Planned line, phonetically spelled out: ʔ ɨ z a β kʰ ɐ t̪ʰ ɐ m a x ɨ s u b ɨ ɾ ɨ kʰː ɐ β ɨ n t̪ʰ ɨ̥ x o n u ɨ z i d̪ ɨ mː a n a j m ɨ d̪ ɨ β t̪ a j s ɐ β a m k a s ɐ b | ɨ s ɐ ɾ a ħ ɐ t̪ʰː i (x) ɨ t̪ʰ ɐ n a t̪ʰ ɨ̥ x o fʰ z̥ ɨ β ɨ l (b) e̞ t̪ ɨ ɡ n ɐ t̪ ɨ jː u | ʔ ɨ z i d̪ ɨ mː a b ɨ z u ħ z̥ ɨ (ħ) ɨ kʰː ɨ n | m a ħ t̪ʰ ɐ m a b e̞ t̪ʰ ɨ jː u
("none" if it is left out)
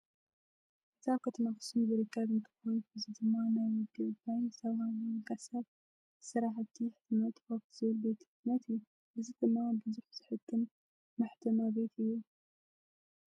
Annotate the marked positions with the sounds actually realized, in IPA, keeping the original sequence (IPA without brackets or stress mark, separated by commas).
ħ, b, ħ